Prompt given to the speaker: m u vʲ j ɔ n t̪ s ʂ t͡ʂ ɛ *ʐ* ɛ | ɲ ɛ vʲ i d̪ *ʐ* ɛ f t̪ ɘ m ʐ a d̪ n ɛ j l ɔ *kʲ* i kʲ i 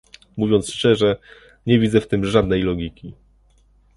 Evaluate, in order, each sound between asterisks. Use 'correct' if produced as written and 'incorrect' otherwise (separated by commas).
correct, incorrect, incorrect